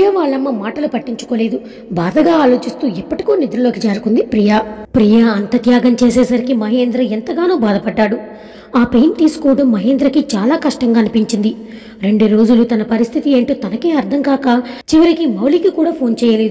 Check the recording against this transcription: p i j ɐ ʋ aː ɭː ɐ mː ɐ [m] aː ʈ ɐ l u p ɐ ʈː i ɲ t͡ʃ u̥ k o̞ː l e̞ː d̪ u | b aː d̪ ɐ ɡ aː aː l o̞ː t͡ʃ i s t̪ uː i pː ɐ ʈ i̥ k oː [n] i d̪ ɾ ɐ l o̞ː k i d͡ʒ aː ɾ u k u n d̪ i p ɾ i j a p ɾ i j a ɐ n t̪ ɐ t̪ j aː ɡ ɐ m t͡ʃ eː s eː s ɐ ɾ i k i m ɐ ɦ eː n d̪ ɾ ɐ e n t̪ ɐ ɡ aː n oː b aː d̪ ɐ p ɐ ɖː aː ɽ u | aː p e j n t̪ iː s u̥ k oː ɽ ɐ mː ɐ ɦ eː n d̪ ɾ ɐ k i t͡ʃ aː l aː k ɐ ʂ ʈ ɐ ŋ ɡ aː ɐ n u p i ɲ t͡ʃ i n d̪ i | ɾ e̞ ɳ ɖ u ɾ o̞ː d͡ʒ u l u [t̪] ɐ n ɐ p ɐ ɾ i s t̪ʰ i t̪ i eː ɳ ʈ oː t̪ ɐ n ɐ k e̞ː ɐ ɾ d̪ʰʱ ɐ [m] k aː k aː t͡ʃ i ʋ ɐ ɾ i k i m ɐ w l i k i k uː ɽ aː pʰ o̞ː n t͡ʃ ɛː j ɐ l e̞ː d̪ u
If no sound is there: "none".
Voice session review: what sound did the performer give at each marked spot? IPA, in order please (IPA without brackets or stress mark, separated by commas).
m, n, t̪, ŋ